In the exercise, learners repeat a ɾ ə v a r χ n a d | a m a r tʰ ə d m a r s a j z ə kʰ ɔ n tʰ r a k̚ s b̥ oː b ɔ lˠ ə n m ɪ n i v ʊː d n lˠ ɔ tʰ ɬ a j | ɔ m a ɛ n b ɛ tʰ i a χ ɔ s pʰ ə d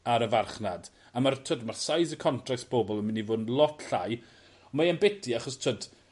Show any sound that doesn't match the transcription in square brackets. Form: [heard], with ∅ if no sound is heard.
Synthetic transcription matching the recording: a ɾ ə v a r χ n a d | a m a r tʰ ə d m a r s a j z ə kʰ ɔ n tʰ r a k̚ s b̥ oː b ɔ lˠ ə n m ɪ n i v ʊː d n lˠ ɔ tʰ ɬ a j | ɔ m a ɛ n b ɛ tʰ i a χ ɔ s [tʰ] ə d